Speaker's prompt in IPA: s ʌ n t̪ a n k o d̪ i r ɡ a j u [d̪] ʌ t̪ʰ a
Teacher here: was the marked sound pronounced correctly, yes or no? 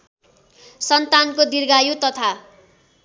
no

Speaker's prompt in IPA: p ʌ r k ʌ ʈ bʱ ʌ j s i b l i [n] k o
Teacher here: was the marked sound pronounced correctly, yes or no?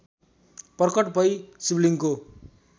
no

